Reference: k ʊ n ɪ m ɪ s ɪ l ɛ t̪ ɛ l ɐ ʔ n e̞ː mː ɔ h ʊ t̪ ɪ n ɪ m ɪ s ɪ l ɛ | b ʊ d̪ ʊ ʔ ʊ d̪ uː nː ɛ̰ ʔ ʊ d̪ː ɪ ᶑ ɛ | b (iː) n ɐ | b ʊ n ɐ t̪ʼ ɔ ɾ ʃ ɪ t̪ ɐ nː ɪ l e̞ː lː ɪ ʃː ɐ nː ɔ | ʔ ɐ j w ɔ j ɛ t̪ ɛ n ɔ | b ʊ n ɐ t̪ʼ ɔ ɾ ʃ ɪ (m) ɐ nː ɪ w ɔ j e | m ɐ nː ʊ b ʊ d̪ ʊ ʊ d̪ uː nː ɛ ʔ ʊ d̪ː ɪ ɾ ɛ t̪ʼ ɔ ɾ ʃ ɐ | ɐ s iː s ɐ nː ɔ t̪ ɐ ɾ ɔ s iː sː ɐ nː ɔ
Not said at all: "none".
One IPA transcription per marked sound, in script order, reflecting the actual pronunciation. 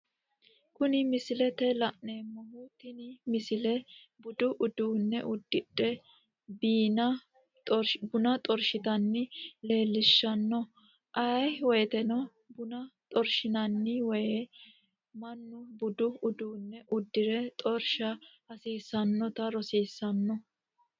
iː, n

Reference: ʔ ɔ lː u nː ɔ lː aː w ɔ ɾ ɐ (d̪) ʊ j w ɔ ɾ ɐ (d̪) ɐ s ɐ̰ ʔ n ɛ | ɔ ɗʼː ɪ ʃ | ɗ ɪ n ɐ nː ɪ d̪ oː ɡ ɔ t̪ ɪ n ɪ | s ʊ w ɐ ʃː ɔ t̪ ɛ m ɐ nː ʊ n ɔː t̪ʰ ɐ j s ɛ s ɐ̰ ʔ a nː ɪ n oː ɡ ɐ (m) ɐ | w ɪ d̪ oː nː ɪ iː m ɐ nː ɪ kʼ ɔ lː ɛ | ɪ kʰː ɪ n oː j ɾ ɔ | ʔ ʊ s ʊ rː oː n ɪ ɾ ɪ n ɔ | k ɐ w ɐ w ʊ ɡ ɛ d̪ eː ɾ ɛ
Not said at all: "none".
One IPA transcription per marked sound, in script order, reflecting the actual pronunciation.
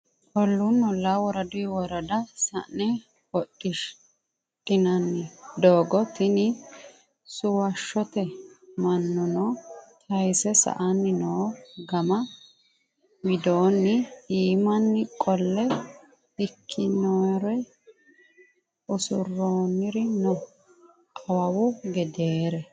d̪, d̪, m

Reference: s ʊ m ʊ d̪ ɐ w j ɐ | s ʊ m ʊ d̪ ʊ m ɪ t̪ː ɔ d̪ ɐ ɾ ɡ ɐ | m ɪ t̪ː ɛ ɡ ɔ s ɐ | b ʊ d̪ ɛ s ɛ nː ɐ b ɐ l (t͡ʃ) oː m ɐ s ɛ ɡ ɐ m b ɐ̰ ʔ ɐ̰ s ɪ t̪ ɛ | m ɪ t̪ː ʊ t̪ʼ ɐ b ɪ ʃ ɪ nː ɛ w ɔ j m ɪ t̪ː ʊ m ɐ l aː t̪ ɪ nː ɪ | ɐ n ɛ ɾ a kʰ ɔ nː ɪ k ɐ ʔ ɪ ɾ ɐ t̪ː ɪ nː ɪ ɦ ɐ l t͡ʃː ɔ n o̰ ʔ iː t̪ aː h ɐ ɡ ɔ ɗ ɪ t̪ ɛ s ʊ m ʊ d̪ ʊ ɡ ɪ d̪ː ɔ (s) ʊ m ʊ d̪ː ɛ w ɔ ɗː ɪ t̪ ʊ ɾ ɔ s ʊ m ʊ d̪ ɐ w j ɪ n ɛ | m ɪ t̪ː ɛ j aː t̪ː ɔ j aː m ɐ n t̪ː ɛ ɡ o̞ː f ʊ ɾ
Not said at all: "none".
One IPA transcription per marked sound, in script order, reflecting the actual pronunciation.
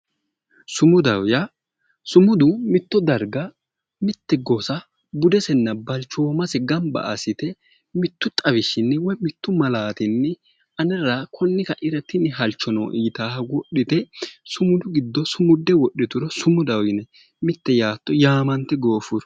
t͡ʃ, s

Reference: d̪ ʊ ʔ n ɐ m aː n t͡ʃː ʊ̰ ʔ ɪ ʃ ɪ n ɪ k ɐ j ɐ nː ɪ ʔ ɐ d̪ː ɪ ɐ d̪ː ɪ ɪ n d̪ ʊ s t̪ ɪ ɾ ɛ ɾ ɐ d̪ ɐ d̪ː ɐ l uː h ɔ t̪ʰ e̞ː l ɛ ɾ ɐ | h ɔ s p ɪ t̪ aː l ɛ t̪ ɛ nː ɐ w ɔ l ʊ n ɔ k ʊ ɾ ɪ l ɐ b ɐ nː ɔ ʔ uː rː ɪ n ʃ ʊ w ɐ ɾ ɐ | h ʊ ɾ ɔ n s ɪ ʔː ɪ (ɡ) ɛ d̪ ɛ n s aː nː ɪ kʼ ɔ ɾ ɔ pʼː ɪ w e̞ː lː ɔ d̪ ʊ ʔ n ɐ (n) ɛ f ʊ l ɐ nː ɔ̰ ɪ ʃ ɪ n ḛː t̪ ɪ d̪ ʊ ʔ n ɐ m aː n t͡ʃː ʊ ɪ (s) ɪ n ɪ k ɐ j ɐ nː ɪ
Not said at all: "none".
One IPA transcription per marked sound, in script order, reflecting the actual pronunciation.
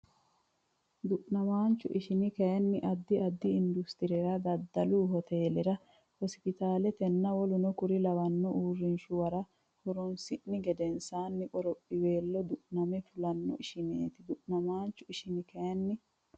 ɡ, m, ʃ

